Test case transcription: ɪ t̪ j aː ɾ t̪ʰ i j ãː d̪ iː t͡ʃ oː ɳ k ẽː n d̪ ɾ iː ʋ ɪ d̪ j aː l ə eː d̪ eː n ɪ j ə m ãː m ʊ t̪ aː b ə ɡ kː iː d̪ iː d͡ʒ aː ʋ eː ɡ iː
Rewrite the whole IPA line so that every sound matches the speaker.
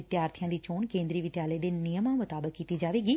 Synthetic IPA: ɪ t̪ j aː ɾ t̪ʰ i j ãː d̪ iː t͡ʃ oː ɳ k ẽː n d̪ ɾ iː ʋ ɪ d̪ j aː l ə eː d̪ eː n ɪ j ə m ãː m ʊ t̪ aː b ə kː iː t̪ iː d͡ʒ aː ʋ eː ɡ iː